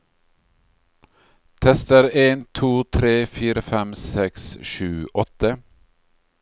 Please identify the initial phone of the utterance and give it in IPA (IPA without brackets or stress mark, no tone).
t̪ʰ